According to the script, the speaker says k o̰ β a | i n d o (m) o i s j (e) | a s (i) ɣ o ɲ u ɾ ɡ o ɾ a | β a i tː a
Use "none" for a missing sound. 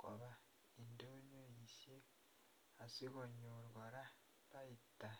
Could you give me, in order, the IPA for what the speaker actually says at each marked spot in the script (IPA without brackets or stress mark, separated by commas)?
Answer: ɲ, e, i